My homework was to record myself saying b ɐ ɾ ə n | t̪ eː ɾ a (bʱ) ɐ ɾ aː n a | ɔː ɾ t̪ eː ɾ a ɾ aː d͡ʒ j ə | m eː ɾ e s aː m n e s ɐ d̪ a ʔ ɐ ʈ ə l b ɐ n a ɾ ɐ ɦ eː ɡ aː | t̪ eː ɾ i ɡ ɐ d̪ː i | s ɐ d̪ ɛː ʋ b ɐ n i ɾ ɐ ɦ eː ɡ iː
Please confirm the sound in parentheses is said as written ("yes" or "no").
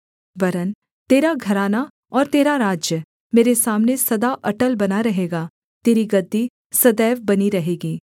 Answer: no